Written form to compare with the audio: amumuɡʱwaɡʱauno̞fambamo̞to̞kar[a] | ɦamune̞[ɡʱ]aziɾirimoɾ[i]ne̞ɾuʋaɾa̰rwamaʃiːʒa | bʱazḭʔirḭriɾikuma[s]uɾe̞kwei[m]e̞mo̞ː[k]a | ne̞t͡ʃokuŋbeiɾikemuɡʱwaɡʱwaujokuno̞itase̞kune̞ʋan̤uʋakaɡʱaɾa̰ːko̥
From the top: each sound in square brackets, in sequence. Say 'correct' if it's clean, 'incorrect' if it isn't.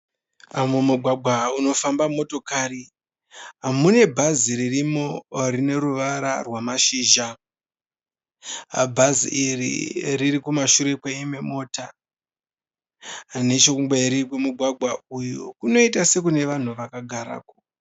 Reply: incorrect, incorrect, correct, incorrect, correct, incorrect

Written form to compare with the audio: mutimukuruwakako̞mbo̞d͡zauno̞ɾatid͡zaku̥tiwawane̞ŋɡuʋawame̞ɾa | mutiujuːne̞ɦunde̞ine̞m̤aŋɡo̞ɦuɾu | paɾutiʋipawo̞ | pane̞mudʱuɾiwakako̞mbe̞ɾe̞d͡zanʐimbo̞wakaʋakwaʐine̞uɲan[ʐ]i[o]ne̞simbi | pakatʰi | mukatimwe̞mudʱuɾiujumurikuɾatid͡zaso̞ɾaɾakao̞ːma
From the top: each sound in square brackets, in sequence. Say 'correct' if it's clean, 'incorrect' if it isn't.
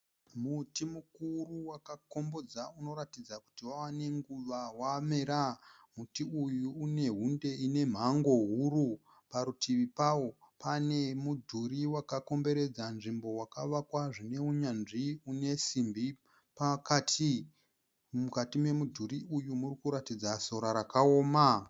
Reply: correct, incorrect

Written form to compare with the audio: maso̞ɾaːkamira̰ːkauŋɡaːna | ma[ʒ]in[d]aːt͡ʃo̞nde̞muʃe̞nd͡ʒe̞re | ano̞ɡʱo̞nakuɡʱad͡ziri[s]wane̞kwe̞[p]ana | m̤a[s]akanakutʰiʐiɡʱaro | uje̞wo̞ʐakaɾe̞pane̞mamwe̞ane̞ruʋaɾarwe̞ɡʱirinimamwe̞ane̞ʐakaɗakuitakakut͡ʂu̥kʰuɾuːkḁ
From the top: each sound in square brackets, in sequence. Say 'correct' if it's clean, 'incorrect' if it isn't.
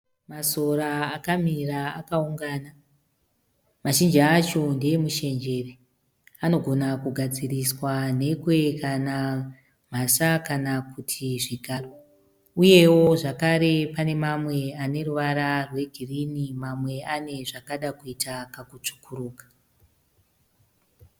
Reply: incorrect, incorrect, correct, incorrect, correct

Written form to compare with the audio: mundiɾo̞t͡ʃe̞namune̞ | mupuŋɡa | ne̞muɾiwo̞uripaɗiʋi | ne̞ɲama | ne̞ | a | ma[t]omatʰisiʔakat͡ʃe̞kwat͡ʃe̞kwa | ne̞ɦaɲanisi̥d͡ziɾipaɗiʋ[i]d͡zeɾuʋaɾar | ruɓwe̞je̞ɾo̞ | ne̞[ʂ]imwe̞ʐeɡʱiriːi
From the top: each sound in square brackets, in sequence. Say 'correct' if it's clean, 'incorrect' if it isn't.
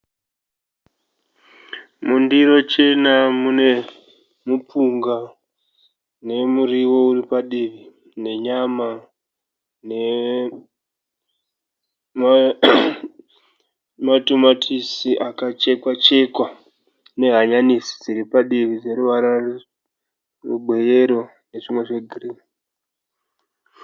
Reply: correct, correct, correct

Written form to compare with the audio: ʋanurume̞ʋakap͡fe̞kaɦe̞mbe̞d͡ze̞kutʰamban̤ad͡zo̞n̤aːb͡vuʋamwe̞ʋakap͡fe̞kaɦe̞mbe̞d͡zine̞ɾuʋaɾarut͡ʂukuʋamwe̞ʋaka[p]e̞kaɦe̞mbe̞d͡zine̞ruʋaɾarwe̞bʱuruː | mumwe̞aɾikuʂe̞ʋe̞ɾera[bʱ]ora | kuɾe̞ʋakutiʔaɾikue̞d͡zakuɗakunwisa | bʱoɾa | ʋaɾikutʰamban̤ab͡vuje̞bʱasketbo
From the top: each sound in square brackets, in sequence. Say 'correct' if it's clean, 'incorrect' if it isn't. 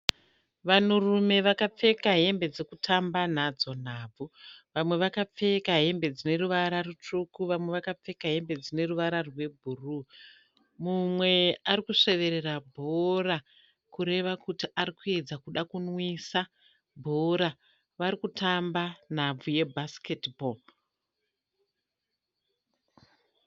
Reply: incorrect, correct

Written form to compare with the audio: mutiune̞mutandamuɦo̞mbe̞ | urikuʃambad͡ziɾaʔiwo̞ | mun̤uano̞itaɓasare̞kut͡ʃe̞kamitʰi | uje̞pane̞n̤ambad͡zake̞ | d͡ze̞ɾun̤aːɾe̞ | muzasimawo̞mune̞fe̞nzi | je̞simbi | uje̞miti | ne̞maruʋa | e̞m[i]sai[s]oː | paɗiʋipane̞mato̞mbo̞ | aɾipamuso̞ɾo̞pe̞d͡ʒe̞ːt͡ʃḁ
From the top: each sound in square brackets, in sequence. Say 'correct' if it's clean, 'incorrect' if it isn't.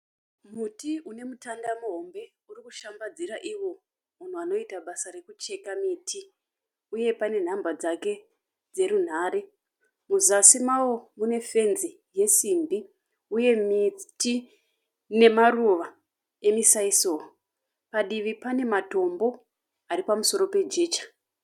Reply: correct, correct

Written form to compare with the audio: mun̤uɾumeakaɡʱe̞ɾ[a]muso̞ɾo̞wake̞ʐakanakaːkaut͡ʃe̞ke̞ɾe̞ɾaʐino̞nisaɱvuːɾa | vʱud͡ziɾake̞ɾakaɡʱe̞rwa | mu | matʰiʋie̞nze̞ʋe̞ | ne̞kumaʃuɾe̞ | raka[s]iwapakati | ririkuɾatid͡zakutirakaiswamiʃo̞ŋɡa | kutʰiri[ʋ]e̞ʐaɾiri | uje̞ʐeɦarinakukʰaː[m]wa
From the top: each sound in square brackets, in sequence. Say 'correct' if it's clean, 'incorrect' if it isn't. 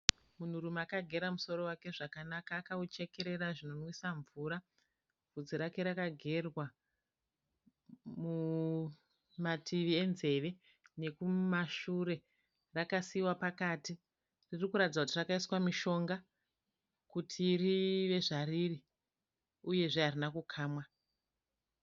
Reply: correct, correct, correct, correct

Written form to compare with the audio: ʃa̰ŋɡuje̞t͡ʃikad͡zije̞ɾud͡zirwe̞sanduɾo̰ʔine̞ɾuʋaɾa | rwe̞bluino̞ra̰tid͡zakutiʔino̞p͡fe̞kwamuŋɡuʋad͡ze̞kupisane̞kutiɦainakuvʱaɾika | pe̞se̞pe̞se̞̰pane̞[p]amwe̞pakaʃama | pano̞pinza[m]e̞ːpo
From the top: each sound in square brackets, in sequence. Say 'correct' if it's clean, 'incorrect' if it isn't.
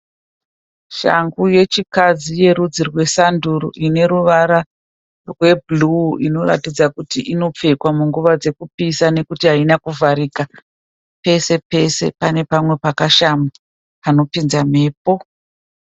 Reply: correct, correct

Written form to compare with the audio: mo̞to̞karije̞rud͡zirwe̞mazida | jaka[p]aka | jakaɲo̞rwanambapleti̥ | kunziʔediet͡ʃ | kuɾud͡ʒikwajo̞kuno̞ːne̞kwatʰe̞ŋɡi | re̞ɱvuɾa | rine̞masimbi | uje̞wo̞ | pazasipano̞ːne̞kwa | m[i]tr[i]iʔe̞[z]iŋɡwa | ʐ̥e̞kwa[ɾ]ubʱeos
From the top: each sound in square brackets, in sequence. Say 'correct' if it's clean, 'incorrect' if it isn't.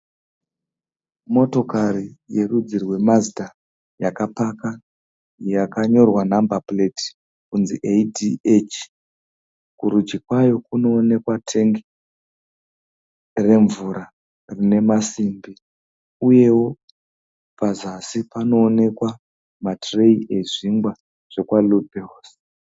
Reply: correct, incorrect, incorrect, incorrect, incorrect

